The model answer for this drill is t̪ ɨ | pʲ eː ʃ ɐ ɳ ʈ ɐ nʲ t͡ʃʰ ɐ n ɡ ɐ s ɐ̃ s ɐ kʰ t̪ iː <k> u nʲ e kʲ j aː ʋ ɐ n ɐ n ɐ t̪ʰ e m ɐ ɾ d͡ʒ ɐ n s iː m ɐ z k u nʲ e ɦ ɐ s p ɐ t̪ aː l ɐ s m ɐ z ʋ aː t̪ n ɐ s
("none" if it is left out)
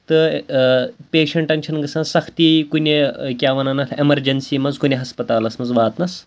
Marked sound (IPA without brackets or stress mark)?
k